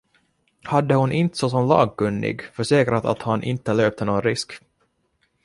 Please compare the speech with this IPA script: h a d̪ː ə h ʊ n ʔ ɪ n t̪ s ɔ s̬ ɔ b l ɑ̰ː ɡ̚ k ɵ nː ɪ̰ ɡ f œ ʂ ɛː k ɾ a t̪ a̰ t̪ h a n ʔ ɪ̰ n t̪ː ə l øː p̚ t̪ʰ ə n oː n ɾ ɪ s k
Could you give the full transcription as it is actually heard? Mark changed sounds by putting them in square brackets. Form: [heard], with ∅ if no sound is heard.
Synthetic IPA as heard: h a d̪ː ə h ʊ n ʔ ɪ n t̪ s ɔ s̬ ɔ [m] l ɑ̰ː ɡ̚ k ɵ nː ɪ̰ ɡ f œ ʂ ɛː k ɾ a t̪ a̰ t̪ h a n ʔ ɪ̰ n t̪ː ə l øː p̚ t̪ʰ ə n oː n ɾ ɪ s k